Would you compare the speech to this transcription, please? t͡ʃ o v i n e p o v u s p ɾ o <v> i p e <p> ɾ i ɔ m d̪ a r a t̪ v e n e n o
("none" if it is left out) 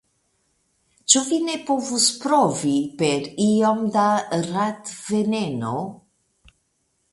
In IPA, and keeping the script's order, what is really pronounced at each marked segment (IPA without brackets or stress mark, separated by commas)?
v, none